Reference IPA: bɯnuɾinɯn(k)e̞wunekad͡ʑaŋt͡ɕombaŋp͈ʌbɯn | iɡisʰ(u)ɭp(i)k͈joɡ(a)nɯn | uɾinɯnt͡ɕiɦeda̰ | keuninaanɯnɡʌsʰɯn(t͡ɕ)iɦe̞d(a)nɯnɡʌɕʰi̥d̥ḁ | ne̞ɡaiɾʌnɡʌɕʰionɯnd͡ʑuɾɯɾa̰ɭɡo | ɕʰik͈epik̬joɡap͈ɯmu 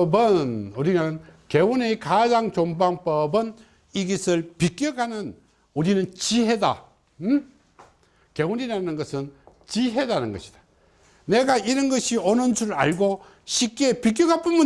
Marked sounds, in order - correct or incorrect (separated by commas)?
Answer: correct, incorrect, correct, correct, correct, correct